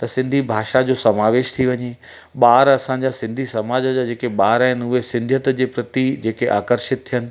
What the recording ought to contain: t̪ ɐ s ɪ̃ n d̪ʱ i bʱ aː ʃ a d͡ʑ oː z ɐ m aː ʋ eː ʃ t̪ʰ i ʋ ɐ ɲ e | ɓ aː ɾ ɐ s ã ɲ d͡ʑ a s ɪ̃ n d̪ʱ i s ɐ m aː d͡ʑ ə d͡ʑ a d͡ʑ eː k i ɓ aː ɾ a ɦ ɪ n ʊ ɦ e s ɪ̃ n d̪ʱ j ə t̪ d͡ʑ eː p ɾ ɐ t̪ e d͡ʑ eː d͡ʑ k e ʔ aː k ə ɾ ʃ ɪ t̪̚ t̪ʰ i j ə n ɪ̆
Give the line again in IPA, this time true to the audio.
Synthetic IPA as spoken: t̪ ɐ s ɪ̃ n d̪ʱ i bʱ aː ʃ a d͡ʑ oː s ɐ m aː ʋ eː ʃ t̪ʰ i ʋ ɐ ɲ e | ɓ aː ɾ ɐ s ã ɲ d͡ʑ a s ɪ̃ n d̪ʱ i s ɐ m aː d͡ʑ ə d͡ʑ a d͡ʑ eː k e ɓ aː ɾ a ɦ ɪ n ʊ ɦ e s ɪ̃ n d̪ʱ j ə t̪ d͡ʑ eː p ɾ ɐ t̪ i d͡ʑ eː k e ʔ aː k ə ɾ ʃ ɪ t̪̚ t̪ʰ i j ə n ɪ̆